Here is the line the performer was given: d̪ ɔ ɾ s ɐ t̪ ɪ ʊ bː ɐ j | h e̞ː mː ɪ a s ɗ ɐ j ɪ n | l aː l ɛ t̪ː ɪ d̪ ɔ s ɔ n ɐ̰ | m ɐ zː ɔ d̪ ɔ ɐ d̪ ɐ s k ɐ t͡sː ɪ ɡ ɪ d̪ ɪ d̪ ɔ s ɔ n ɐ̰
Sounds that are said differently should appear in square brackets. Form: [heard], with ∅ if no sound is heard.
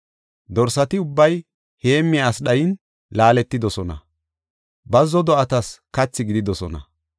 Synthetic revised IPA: d̪ ɔ ɾ s ɐ t̪ ɪ ʊ bː ɐ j | h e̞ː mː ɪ a s ɗ ɐ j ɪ n | l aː l ɛ t̪ː ɪ d̪ ɔ s ɔ n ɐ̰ | [b] ɐ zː ɔ d̪ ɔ ɐ [t̪] ɐ s k ɐ t͡sː ɪ ɡ ɪ d̪ ɪ d̪ ɔ s ɔ n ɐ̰